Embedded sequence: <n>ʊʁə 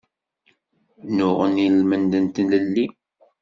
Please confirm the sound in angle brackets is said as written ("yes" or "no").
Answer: yes